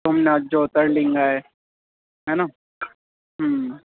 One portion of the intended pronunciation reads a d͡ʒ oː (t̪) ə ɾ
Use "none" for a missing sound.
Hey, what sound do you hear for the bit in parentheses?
t̪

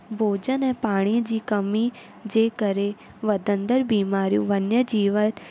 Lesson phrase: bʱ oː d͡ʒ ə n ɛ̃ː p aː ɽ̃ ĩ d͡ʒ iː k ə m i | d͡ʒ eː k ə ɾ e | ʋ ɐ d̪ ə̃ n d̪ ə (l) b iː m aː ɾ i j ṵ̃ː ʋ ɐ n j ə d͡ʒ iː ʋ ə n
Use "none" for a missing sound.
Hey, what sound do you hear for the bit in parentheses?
ɾ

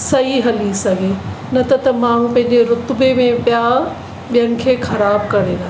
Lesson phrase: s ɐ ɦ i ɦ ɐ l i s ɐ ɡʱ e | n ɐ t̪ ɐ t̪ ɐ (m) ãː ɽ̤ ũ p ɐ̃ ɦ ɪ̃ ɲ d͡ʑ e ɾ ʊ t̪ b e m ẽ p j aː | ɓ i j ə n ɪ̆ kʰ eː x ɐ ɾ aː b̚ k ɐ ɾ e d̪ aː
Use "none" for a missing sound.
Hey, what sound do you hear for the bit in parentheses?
m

